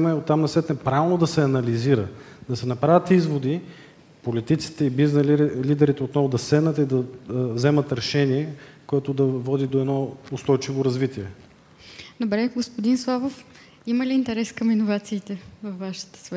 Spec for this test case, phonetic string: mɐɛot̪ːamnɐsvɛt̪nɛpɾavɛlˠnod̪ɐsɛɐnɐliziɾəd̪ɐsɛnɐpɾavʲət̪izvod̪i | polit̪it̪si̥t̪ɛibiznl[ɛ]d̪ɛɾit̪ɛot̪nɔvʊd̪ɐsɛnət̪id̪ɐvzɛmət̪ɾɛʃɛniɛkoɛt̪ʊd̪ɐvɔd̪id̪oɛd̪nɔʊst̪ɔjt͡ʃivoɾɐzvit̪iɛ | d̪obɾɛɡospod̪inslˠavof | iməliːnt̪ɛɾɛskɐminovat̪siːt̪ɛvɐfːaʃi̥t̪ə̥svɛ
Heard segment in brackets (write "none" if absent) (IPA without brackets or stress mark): i